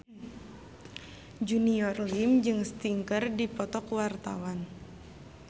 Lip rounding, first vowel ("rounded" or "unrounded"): rounded